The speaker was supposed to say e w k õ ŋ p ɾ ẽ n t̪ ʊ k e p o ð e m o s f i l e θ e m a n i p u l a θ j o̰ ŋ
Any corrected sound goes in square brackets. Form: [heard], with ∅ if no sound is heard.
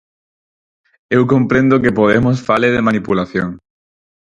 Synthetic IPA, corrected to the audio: e w k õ [m] p ɾ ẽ n [d̪] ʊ k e p o ð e m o s f [a] l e [ð] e m a n i p u l a θ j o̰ ŋ